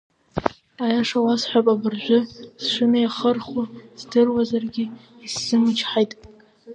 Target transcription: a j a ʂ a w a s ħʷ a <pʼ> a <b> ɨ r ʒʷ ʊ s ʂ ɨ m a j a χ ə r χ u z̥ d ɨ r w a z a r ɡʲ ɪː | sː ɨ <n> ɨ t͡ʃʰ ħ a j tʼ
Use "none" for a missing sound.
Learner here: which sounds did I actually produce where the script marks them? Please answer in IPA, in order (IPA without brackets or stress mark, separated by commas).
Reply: pʼ, b, m